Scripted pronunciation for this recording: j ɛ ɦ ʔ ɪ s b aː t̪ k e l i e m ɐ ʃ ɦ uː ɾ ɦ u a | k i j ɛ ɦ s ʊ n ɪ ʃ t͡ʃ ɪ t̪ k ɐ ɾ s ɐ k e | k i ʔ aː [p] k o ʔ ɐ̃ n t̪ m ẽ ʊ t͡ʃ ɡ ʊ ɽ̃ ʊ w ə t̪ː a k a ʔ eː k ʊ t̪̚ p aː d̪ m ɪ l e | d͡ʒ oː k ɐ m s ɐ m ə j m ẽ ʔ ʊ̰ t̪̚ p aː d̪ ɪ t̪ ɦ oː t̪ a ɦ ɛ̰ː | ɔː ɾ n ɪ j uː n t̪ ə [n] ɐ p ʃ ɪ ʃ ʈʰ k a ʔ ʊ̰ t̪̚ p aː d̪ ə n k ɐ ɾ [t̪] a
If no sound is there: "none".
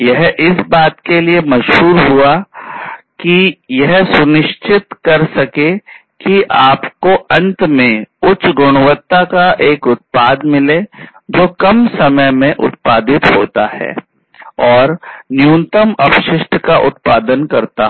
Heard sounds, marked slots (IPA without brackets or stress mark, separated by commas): p, m, t̪